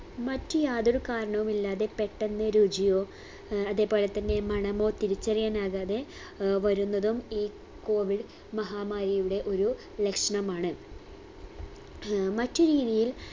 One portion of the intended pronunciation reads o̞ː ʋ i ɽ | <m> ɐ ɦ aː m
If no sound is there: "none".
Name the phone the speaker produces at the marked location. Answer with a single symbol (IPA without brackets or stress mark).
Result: m